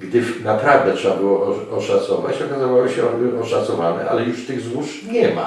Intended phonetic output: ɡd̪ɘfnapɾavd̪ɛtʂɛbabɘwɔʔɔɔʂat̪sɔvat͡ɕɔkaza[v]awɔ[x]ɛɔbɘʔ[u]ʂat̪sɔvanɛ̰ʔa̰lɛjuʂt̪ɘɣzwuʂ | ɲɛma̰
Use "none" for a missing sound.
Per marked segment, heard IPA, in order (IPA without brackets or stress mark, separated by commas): v, ɕ, ɔ